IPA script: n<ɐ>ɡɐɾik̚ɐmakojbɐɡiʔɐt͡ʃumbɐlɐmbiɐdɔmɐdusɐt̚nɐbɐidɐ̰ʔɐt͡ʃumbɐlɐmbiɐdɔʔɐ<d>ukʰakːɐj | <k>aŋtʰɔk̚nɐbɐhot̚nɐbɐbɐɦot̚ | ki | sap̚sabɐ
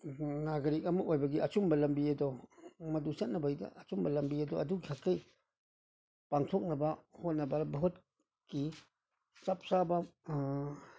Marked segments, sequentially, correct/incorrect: incorrect: a, correct, incorrect: p

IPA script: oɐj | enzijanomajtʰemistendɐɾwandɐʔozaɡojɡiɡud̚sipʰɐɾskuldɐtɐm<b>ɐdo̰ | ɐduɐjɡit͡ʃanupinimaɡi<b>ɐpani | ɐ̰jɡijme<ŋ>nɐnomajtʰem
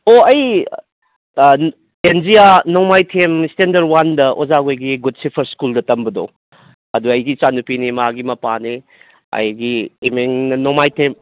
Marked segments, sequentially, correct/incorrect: correct, incorrect: m, correct

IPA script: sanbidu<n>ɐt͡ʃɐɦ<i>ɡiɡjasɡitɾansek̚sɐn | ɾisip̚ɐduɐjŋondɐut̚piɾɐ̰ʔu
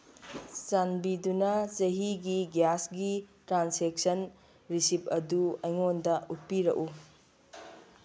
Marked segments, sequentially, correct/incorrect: correct, correct

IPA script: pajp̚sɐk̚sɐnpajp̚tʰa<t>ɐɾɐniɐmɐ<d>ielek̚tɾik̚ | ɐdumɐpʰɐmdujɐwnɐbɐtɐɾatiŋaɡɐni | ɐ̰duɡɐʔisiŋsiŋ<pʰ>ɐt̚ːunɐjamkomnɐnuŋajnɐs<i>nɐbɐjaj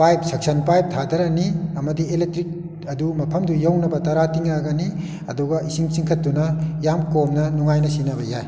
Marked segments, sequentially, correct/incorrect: incorrect: d, correct, incorrect: kʰ, correct

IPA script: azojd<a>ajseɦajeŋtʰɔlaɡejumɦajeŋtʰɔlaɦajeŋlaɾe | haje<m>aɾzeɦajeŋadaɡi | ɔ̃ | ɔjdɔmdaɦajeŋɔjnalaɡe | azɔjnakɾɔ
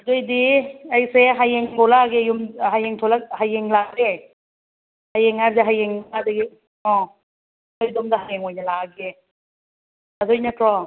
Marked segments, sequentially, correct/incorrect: incorrect: i, incorrect: ŋ

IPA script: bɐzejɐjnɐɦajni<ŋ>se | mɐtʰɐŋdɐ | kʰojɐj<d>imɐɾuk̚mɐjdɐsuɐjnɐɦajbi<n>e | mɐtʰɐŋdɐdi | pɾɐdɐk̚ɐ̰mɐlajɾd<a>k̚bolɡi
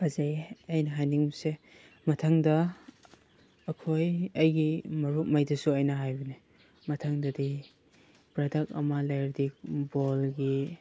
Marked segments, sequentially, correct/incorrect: correct, incorrect: ɡ, correct, incorrect: i

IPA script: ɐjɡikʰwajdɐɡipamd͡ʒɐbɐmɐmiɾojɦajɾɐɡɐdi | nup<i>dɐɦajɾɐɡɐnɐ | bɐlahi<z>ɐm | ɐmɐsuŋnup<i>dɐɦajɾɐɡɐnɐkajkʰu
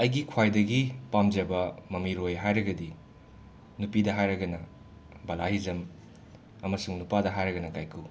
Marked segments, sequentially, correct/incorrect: correct, correct, incorrect: a

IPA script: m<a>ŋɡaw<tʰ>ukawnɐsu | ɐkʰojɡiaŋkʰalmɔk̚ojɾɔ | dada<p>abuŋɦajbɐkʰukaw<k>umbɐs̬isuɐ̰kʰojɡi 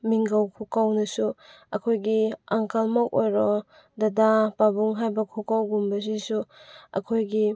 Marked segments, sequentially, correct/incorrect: incorrect: i, incorrect: kʰ, correct, incorrect: ɡ

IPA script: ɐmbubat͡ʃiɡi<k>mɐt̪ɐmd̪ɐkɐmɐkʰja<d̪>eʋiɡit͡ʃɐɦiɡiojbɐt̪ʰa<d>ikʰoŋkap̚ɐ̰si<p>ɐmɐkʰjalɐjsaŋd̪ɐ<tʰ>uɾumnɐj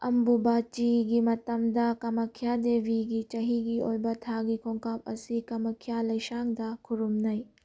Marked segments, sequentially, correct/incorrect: incorrect: none, correct, incorrect: ɡ, incorrect: k, incorrect: kʰ

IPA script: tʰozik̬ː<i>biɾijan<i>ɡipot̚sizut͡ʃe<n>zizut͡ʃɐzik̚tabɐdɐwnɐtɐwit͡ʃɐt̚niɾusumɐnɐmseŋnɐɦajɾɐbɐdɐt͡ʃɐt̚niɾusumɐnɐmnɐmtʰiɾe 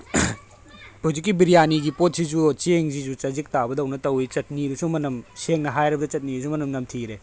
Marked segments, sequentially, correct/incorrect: correct, correct, incorrect: ŋ

